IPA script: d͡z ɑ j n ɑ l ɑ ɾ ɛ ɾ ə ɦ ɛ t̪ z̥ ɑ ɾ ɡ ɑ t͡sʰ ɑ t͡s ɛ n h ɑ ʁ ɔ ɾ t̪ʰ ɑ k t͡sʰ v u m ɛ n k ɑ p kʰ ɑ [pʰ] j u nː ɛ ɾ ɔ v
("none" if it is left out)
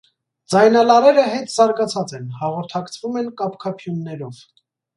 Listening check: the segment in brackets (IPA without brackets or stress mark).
pʰ